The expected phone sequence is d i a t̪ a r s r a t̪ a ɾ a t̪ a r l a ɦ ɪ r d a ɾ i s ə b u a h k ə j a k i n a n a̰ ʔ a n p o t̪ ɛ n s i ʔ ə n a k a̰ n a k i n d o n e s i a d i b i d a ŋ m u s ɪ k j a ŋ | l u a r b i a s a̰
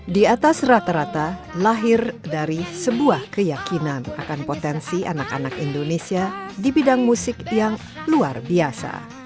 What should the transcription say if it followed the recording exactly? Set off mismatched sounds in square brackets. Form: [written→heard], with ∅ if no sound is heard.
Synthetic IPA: d i a t̪ a [r→∅] s r a t̪ a ɾ a t̪ a [r→∅] l a ɦ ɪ r d a ɾ i s ə b u a h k ə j a k i n a n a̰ [ʔ→k] a n p o t̪ ɛ n s i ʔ [ə→a] n a k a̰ n a k i n d o n e s i a d i b i d a ŋ m u s ɪ k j a ŋ | l u a r b i a s a̰